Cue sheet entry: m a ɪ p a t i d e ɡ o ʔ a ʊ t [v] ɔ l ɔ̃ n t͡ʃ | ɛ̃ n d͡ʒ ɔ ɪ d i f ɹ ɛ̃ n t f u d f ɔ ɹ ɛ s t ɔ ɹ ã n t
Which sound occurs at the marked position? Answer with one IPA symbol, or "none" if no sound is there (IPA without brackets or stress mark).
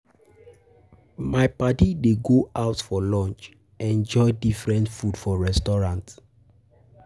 f